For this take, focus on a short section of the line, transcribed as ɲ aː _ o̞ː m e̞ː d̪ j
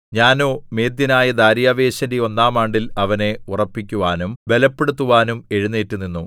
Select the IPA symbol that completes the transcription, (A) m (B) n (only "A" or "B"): B